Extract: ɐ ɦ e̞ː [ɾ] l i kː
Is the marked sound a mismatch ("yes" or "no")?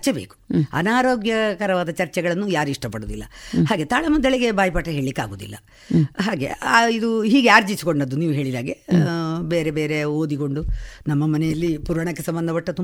yes